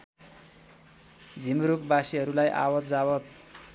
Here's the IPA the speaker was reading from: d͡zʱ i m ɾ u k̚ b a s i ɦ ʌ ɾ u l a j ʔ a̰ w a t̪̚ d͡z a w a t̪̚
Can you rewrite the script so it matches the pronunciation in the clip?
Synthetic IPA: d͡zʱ i m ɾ u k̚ b a s i ɦ ʌ ɾ u l a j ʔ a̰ w ʌ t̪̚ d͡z a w ʌ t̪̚